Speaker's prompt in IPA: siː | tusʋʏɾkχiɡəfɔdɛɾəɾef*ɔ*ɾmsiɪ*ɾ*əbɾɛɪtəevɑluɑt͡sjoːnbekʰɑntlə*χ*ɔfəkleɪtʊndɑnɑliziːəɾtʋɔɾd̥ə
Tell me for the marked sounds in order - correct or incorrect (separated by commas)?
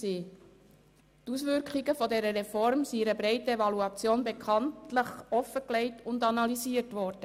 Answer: correct, correct, correct